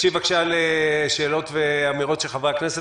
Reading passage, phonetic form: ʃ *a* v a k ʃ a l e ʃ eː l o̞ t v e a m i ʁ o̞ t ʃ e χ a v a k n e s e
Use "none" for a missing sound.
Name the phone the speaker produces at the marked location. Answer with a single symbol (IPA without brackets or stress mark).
i